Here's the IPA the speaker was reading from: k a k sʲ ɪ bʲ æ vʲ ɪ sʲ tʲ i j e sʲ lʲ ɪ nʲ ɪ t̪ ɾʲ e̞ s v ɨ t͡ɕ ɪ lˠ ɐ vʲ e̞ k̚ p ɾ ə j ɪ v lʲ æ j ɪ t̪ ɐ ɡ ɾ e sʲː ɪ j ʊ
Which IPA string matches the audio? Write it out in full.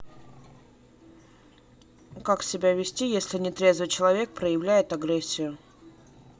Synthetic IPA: k a k sʲ ɪ bʲ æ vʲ ɪ sʲ tʲ i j e sʲ lʲ ɪ nʲ ɪ t̪ ɾʲ e̞ z v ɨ t͡ɕ ɪ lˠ ɐ vʲ e̞ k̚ p ɾ ə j ɪ v lʲ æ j ɪ t̪ ɐ ɡ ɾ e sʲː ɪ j ʊ